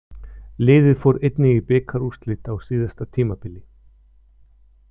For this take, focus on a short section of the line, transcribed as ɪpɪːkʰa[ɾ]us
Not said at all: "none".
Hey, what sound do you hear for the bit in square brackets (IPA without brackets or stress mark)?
ɾ